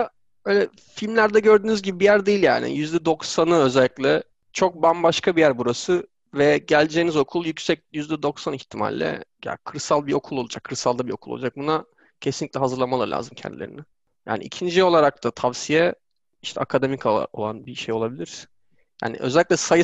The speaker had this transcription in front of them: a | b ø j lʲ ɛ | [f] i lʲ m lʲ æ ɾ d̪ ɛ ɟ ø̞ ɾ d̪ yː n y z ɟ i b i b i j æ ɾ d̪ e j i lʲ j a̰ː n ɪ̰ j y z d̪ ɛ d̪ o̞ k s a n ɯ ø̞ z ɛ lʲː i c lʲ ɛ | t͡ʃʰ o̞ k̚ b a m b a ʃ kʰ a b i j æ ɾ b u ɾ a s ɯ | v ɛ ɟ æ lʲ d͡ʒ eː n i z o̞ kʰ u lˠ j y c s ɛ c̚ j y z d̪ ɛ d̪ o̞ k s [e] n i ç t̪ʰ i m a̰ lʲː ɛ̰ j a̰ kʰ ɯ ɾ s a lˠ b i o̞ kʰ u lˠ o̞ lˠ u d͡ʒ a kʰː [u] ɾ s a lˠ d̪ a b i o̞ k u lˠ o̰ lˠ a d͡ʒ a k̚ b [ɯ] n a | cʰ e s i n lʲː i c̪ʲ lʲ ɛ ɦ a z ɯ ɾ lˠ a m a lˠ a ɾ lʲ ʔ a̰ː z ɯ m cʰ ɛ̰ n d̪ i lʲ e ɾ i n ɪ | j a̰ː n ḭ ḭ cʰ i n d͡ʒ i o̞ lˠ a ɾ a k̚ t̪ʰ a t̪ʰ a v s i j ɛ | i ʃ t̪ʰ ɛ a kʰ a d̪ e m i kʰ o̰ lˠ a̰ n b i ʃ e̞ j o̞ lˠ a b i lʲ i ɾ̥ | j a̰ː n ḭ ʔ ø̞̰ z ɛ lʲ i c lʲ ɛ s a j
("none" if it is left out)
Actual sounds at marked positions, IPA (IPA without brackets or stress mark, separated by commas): f, a, ɯ, u